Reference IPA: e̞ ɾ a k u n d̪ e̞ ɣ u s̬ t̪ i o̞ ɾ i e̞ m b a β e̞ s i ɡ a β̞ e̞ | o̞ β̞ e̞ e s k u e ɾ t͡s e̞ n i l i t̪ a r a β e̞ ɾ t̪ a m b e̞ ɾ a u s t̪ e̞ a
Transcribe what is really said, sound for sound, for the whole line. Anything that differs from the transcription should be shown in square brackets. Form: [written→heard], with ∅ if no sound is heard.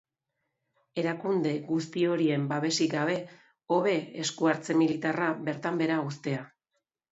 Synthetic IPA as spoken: e̞ ɾ a k u n d̪ e̞ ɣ u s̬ t̪ i o̞ ɾ i e̞ m b a β e̞ s i ɡ a β̞ e̞ | o̞ β̞ e̞ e s k u [e→a] ɾ t͡s e̞ [n→m] i l i t̪ a r a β e̞ ɾ t̪ a m b e̞ ɾ a u s t̪ e̞ a